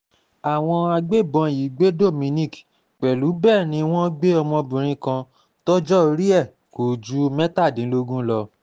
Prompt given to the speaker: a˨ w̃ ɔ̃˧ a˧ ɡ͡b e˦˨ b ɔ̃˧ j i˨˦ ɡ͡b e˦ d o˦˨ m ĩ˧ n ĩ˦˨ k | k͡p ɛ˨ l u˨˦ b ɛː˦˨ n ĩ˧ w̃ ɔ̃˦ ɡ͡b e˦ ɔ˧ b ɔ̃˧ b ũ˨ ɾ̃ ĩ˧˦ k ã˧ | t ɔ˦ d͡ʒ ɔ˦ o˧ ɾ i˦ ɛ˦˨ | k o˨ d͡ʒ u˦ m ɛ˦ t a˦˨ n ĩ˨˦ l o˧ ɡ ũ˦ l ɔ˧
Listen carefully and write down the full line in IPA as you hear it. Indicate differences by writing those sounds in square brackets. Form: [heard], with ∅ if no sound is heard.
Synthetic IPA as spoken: a˨ w̃ ɔ̃˧ a˧ ɡ͡b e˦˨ b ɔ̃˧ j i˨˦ ɡ͡b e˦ d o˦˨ m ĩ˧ n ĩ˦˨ k | k͡p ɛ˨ l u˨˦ b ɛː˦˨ n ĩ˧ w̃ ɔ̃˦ ɡ͡b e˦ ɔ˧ [m] ɔ̃˧ b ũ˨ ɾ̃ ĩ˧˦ k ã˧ | t ɔ˦ d͡ʒ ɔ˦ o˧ ɾ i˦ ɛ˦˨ | k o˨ d͡ʒ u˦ m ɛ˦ t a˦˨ [d] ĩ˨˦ l o˧ ɡ ũ˦ l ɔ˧